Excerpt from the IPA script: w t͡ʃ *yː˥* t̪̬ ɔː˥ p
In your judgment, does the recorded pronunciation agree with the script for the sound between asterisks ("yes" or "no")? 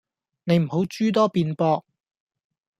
yes